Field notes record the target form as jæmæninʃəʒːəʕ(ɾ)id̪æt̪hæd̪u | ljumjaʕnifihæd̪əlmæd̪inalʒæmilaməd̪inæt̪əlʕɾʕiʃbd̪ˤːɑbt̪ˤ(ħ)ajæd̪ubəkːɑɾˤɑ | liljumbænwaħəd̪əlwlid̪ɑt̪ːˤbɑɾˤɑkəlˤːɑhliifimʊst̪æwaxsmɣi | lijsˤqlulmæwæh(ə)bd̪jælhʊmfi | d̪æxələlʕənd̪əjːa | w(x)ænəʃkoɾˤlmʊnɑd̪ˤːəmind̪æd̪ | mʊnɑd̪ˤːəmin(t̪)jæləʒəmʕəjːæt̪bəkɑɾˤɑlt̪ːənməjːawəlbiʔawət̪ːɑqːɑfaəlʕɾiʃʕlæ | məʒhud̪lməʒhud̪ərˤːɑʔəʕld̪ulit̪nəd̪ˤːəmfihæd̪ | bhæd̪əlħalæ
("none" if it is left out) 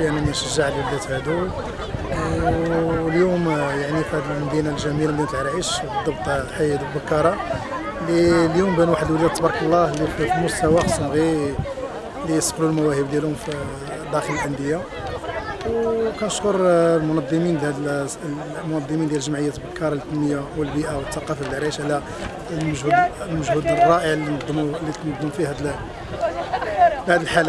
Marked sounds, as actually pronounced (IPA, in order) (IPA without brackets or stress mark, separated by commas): l, ħ, ə, k, d̪